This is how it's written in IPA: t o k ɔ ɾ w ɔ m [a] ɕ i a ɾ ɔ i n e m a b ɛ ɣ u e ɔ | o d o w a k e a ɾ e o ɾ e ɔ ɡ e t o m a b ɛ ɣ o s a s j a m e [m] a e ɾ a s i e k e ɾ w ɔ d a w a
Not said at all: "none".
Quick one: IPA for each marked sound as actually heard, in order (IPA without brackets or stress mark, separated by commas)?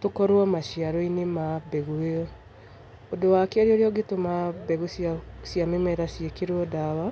a, m